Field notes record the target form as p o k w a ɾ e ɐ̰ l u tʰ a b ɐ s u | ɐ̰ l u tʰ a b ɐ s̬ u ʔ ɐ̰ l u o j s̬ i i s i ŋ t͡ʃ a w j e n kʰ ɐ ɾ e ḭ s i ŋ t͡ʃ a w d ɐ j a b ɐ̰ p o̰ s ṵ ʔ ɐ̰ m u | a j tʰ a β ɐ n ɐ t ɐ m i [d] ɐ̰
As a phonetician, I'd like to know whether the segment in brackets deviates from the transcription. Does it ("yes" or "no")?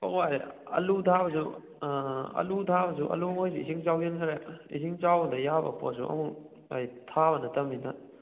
yes